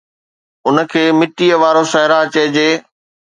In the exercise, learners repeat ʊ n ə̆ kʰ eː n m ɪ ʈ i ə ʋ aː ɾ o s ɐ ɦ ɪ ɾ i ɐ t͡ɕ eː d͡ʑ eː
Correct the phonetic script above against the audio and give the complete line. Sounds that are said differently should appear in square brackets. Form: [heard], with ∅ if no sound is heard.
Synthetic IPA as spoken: ʊ n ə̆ kʰ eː [∅] m ɪ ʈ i ə ʋ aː ɾ o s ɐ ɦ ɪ ɾ [a] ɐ t͡ɕ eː d͡ʑ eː